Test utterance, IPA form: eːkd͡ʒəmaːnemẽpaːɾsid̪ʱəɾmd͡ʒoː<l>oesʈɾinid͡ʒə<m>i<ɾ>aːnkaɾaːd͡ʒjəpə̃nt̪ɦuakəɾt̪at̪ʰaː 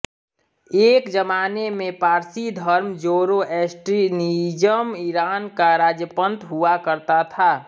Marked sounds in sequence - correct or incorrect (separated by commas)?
incorrect, correct, correct